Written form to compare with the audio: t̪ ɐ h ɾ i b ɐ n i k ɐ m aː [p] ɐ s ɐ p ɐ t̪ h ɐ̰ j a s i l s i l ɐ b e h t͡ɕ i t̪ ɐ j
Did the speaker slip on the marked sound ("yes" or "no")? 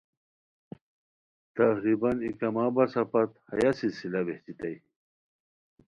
yes